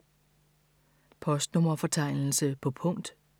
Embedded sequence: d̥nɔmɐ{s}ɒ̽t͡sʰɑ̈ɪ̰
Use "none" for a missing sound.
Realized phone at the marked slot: f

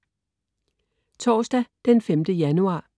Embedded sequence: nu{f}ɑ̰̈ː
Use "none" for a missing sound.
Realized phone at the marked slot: none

